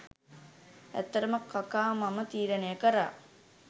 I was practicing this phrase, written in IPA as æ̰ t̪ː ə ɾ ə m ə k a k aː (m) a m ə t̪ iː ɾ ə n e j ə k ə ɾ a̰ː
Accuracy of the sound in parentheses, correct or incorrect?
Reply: correct